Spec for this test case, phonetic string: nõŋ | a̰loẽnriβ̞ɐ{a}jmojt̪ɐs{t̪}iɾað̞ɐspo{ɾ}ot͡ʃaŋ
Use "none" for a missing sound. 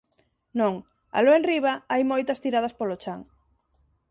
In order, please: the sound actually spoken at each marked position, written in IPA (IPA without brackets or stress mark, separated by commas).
a, t̪, l